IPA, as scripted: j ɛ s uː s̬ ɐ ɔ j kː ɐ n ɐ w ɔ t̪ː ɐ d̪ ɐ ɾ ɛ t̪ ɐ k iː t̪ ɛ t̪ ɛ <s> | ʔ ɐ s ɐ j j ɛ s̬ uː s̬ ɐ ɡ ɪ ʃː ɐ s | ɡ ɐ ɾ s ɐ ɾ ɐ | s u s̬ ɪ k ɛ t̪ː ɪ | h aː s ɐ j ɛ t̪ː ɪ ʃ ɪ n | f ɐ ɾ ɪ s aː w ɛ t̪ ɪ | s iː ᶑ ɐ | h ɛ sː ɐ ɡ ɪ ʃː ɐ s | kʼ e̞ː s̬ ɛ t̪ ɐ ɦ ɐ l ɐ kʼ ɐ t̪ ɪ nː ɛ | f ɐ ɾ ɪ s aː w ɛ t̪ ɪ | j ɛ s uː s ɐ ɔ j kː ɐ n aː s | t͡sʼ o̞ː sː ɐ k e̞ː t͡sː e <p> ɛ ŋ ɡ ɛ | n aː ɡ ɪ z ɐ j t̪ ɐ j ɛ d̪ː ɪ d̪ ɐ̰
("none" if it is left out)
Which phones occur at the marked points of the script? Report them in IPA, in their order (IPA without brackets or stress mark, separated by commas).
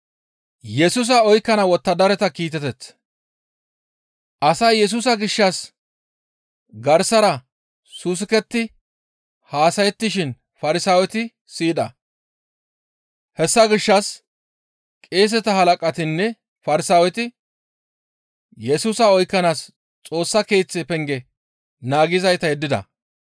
t͡s, p